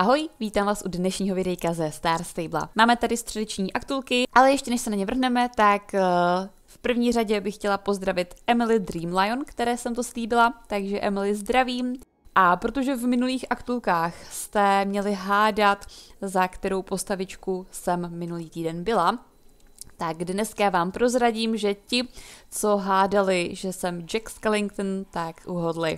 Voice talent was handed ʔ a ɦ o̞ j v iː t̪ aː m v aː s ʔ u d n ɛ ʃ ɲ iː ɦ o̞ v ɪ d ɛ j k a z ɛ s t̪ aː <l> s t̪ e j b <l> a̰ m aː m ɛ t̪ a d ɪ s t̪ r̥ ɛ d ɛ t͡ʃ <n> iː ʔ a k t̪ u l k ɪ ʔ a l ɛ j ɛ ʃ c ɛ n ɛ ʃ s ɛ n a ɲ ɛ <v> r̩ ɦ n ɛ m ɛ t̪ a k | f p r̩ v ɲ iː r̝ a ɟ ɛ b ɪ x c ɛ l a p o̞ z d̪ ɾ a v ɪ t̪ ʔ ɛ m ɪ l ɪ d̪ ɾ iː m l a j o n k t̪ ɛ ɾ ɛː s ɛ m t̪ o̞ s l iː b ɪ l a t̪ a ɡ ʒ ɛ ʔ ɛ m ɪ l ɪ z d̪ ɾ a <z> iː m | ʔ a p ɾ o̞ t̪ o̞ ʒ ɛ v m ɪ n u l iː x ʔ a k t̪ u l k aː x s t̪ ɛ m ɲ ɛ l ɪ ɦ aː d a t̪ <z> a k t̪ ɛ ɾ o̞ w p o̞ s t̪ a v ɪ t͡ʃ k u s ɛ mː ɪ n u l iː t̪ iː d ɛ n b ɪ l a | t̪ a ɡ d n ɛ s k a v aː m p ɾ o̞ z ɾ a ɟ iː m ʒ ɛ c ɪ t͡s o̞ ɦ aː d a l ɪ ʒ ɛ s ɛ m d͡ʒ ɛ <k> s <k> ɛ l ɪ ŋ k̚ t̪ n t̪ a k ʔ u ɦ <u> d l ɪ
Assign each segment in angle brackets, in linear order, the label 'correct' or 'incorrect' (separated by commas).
incorrect, correct, incorrect, correct, incorrect, correct, correct, correct, incorrect